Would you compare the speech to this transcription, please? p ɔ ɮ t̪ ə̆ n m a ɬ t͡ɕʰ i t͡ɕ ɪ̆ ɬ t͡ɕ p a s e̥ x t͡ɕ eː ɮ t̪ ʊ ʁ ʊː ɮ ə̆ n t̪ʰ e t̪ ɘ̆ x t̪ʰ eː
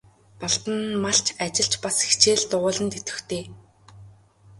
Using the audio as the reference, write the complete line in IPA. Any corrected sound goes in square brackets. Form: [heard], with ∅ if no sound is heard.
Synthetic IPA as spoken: p ɔ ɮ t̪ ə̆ n m a ɬ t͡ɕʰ [a] t͡ɕ ɪ̆ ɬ t͡ɕ p a s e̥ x t͡ɕ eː ɮ t̪ ʊ ʁ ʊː ɮ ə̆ n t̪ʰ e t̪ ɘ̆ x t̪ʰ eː